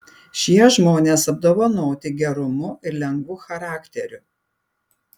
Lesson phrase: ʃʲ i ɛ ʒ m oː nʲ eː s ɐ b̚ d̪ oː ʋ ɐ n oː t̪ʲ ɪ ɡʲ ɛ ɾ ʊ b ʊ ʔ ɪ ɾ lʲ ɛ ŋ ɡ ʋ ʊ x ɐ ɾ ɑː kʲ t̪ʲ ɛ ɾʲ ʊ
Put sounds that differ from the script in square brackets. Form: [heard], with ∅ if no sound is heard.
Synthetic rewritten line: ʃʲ i ɛ ʒ m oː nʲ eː s ɐ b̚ d̪ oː ʋ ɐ n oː t̪ʲ ɪ ɡʲ ɛ ɾ ʊ [m] ʊ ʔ ɪ ɾ lʲ ɛ ŋ ɡ ʋ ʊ x ɐ ɾ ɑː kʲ t̪ʲ ɛ ɾʲ ʊ